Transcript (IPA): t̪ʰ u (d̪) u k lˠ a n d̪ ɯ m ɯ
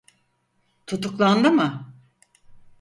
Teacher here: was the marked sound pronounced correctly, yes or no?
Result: no